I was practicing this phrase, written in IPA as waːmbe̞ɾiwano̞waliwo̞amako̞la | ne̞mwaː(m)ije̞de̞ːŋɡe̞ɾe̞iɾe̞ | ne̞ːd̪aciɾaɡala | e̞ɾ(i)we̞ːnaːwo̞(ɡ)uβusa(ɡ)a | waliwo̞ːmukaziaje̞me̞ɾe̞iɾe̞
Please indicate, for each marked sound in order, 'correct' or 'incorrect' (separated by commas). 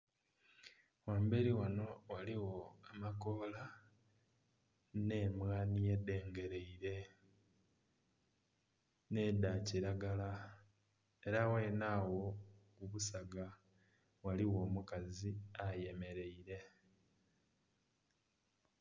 incorrect, incorrect, incorrect, correct